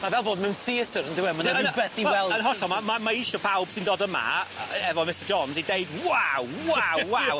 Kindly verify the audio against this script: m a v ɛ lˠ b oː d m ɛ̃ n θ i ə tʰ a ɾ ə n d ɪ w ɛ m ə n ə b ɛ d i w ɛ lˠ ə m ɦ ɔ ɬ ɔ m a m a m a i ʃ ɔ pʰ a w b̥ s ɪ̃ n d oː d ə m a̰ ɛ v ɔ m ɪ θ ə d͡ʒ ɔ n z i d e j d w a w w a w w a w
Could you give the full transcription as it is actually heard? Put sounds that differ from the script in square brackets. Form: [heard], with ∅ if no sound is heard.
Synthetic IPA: m a v ɛ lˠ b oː d m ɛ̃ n θ i ə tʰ [ə] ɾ ə n d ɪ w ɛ m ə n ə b ɛ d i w ɛ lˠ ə [n] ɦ ɔ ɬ ɔ m a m a m a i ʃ ɔ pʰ a w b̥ s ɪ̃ n d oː d ə m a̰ ɛ v ɔ m ɪ [s] ə d͡ʒ ɔ n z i d e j d w a w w a w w a w